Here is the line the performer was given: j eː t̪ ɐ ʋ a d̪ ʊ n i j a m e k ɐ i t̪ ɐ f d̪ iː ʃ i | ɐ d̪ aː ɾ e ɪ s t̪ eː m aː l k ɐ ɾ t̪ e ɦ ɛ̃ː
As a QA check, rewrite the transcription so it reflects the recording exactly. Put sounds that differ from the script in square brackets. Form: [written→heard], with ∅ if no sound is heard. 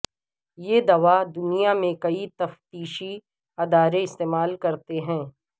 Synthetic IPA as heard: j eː [t̪→d̪] ɐ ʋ a d̪ ʊ n i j a m [e→ẽ] k ɐ i t̪ ɐ f [d̪→t̪] iː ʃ i | ɐ d̪ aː ɾ e ɪ s t̪ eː m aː l k ɐ ɾ t̪ e ɦ ɛ̃ː